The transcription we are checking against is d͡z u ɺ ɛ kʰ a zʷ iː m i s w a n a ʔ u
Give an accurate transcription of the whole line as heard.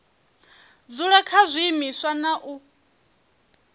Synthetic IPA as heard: d͡z u ɺ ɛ kʰ a zʷ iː m i s w a n a ʔ u